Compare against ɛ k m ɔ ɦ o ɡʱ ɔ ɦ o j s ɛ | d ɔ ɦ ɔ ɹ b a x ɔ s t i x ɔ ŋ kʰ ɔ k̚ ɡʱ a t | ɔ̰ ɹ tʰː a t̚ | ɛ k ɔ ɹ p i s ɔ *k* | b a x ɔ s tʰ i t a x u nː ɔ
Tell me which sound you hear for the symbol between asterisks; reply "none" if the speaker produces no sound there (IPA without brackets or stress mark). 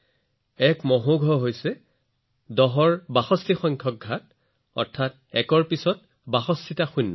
t